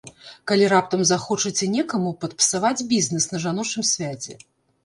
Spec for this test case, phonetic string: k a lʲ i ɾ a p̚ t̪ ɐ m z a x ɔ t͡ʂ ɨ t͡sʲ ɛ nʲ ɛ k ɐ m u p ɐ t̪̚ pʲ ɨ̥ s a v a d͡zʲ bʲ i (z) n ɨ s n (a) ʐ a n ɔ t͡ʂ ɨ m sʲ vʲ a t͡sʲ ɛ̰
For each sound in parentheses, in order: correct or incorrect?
correct, incorrect

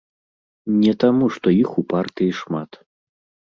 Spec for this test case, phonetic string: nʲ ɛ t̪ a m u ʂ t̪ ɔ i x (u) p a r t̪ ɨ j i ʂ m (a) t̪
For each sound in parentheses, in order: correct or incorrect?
correct, correct

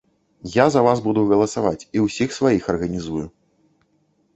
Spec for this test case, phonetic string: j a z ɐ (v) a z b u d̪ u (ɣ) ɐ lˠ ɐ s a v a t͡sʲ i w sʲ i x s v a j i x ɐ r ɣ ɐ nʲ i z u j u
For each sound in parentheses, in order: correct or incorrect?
correct, correct

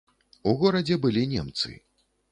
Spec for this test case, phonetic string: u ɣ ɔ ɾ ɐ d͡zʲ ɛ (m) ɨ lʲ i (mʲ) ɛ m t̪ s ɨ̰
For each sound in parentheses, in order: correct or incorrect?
incorrect, incorrect

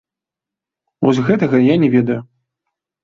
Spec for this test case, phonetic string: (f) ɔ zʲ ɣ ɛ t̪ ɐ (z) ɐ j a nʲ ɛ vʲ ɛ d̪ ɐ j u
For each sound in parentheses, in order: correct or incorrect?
incorrect, incorrect

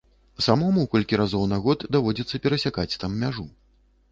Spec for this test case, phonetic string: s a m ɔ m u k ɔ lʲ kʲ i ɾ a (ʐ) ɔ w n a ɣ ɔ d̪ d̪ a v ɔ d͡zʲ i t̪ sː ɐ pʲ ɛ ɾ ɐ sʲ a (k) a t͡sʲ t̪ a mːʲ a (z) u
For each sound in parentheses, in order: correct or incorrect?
incorrect, correct, incorrect

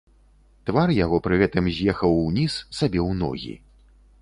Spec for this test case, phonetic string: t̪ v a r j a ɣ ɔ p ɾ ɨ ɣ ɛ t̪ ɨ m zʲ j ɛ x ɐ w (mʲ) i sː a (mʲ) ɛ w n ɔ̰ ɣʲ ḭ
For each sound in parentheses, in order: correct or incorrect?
incorrect, incorrect

